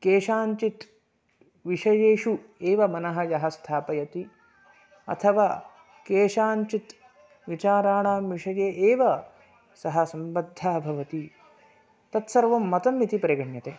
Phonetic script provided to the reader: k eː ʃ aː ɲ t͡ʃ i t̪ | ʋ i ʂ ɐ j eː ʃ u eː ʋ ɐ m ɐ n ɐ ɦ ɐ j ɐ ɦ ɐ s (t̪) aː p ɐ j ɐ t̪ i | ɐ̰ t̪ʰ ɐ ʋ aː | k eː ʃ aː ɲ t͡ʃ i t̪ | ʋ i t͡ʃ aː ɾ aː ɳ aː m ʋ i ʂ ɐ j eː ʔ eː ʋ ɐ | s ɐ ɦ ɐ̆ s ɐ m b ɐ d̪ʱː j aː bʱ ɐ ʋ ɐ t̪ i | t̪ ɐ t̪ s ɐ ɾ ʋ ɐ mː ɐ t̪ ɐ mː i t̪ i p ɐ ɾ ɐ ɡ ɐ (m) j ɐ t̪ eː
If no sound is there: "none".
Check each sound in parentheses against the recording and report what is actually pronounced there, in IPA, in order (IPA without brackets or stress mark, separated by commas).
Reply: t̪ʰ, ɳ